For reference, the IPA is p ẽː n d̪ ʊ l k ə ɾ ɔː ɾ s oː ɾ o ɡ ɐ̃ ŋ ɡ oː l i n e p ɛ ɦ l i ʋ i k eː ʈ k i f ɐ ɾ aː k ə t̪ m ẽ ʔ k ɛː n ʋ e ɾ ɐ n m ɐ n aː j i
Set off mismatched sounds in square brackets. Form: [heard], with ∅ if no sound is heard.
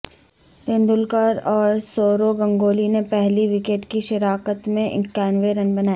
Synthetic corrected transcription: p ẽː n d̪ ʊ l k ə ɾ ɔː ɾ s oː ɾ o ɡ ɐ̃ ŋ ɡ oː l i n e p ɛ ɦ l i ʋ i k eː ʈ k i [ʃ] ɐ ɾ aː k ə t̪ m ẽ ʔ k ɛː n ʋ e ɾ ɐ n [b] ɐ n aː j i